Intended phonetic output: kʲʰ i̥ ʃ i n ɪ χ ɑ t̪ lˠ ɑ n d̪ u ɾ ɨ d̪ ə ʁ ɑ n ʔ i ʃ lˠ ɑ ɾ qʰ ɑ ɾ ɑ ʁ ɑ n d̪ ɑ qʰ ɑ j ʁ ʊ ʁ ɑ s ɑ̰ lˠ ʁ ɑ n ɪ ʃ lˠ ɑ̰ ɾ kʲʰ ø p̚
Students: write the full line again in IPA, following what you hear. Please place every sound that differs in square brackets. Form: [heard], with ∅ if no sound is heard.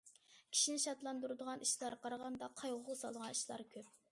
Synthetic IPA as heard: kʲʰ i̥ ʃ i n ɪ [ʃ] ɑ t̪ lˠ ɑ n d̪ u ɾ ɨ d̪ ə ʁ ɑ n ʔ i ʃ lˠ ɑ ɾ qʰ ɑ ɾ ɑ ʁ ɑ n d̪ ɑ qʰ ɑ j ʁ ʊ ʁ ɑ s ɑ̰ lˠ ʁ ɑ n [i] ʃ lˠ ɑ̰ ɾ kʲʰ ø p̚